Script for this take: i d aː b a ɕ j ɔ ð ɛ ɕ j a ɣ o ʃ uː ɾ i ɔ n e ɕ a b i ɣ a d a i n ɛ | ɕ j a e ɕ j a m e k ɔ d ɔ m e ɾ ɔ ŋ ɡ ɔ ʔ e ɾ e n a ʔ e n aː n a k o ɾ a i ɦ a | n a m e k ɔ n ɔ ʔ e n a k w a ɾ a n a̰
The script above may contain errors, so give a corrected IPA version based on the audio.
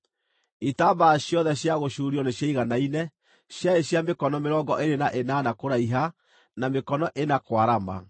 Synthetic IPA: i t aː b a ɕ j ɔ ð ɛ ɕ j a ɣ o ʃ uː ɾ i ɔ n e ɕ a i ɣ a n a i n ɛ | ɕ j a e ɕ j a m e k ɔ n ɔ m e ɾ ɔ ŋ ɡ ɔ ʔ e ɾ e n a ʔ e n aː n a k o ɾ a i ɦ a | n a m e k ɔ n ɔ ʔ e n a k w a ɾ a m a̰

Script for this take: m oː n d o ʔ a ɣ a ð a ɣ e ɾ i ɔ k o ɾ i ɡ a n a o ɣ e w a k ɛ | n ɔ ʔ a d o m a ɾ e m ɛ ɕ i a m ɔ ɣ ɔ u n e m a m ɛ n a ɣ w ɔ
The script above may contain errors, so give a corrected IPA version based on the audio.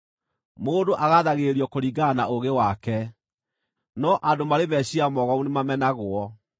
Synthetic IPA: m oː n d o ʔ a ɣ a ð a ɣ e ɾ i ɔ k o ɾ i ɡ a n a o ɣ e w a k ɛ | n ɔ ʔ a d o m a ɾ e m ɛ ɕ i a m ɔ ɣ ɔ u n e m a m ɛ n a ɣ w ɔ

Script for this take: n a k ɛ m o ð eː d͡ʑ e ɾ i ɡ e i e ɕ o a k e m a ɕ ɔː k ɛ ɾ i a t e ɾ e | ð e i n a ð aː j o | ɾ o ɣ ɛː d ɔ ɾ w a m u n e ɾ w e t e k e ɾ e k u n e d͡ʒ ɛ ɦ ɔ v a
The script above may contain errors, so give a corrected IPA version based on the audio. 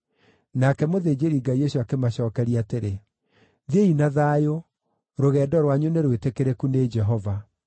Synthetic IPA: n a k ɛ m o ð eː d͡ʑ e ɾ i ɡ a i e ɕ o a k e m a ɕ ɔː k ɛ ɾ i a t e ɾ e | ð e i n a ð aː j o | ɾ o ɣ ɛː d ɔ ɾ w a ɲ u n e ɾ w e t e k e ɾ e k u n e d͡ʒ ɛ ɦ ɔ v a

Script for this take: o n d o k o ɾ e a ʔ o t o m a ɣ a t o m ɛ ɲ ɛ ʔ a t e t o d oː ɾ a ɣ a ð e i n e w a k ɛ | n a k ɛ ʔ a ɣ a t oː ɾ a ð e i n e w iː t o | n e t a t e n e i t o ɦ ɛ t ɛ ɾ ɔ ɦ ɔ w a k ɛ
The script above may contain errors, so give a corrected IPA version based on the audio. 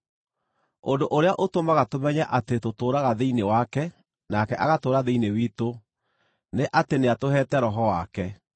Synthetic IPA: o n d o ʔ o ɾ e a ʔ o t o m a ɣ a t o m ɛ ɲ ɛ ʔ a t e t o t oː ɾ a ɣ a ð e i n e w a k ɛ | n a k ɛ ʔ a ɣ a t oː ɾ a ð e i n e w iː t o | n e ʔ a t e n e a t o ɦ ɛ t ɛ ɾ ɔ ɦ ɔ w a k ɛ

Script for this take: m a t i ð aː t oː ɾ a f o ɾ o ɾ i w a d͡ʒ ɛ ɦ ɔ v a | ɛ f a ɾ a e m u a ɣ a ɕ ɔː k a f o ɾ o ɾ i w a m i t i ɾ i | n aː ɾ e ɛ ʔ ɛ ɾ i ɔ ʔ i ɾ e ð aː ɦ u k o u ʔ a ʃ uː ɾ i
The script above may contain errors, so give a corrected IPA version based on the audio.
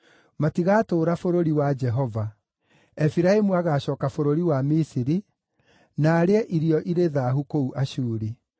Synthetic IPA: m a t i ɣ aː t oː ɾ a f o ɾ o ɾ i w a d͡ʒ ɛ ɦ ɔ v a | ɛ f i ɾ a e m u a ɣ a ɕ ɔː k a f o ɾ o ɾ i w a m i s i ɾ i | n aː ɾ e ɛ ʔ i ɾ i ɔ ʔ i ɾ e ð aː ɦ u k o u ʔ a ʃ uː ɾ i

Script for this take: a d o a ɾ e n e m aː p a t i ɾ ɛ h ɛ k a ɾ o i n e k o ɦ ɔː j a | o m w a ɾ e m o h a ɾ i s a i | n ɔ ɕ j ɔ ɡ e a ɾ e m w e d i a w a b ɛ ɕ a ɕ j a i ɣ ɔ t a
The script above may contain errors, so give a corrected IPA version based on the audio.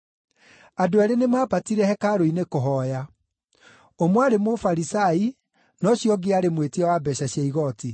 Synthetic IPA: a d o a ɾ e n e m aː p a t i ɾ ɛ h ɛ k a ɾ o i n e k o ɦ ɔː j a | o m w a ɾ e m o f a ɾ i s a i | n ɔ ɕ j ɔ ɡ e a ɾ e m w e t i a w a b ɛ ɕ a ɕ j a i ɣ ɔ t i

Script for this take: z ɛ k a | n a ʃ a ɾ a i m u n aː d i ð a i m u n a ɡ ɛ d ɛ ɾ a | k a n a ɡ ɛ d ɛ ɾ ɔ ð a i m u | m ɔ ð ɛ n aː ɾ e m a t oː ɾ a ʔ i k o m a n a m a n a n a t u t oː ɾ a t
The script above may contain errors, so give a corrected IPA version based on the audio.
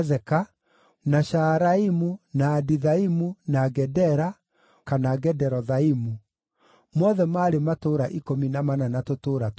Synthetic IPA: z ɛ k a | n a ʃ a ɾ a i m u n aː d i ð a i m u n a ɡ ɛ d ɛ ɾ a | k a n a ɡ ɛ d ɛ ɾ ɔ ð a i m u | m ɔ ð ɛ m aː ɾ e m a t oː ɾ a ʔ i k o m i n a m a n a n a t o t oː ɾ a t

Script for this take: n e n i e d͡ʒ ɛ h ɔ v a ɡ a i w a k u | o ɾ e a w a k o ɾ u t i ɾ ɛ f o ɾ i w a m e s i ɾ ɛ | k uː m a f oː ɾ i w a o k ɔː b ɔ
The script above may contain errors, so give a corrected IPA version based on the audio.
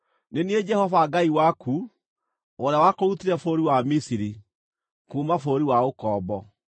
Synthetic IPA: n e n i e d͡ʒ ɛ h ɔ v a ɡ a i w a k u | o ɾ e a w a k o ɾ u t i ɾ ɛ f o ɾ i w a m i s i ɾ i | k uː m a f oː ɾ i w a o k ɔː b ɔ

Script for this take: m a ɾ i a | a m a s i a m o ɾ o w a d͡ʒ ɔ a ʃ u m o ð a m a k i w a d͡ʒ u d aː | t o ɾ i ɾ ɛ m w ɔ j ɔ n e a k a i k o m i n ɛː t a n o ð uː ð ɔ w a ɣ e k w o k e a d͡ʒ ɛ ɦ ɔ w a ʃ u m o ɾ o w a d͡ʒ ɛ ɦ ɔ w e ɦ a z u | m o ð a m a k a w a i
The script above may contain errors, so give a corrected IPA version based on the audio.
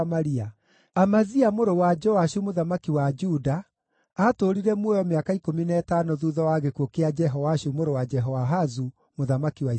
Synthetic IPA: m a ɾ i a | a m a z i a m o ɾ o w a d͡ʒ ɔ a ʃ u m o ð a m a k i w a d͡ʒ u d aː | t o ɾ i ɾ ɛ m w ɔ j ɔ m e a k a i k o m i n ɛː t a n o ð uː ð ɔ w a ɣ e k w o k e a d͡ʒ ɛ ɦ ɔ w a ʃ u m o ɾ o w a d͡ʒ ɛ ɦ ɔ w a ɦ a z u | m o ð a m a k i w a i

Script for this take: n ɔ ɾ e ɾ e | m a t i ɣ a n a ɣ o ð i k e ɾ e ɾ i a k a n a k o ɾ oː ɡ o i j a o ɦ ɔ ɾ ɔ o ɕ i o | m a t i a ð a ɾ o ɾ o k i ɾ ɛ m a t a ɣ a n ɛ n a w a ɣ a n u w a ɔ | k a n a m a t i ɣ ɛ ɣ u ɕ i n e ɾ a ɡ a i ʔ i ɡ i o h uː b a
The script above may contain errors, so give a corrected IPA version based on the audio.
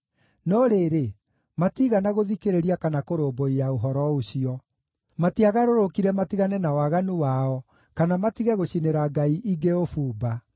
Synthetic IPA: n ɔ ɾ e ɾ e | m a t i ɣ a n a ɣ o ð i k e ɾ e ɾ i a k a n a k o ɾ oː b o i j a o ɦ ɔ ɾ ɔ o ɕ i ɔ | m a t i a ɣ a ɾ o ɾ o k i ɾ ɛ m a t i ɣ a n ɛ n a w a ɣ a n u w a ɔ | k a n a m a t i ɣ ɛ ɣ o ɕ i n e ɾ a ɡ a i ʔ i ɡ e o f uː b a

